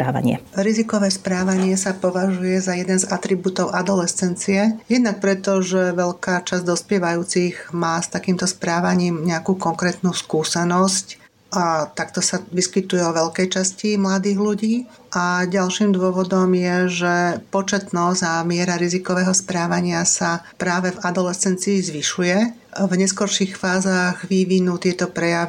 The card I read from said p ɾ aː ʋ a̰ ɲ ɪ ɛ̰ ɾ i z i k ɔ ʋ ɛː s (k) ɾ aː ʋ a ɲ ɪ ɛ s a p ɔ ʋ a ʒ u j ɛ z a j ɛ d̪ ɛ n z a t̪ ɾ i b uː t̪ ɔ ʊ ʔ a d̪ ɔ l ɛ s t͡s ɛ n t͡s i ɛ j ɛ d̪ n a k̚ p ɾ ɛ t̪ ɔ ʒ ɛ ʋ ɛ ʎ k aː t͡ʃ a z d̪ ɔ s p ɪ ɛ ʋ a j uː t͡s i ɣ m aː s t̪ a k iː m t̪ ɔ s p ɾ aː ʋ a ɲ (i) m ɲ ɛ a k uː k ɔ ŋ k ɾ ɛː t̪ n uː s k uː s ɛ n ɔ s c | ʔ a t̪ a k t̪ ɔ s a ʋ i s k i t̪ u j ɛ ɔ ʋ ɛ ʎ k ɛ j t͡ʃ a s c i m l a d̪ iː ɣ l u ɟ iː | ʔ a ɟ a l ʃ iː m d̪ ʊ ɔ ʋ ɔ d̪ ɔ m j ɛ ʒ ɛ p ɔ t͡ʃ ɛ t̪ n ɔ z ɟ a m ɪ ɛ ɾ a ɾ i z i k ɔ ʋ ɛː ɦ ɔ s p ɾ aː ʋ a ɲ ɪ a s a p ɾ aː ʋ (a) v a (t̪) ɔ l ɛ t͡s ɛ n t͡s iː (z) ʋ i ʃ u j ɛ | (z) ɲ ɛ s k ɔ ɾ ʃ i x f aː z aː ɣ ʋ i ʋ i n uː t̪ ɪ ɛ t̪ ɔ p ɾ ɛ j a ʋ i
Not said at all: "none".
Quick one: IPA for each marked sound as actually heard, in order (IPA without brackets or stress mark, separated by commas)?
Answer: p, iː, ɛ, d̪, z, v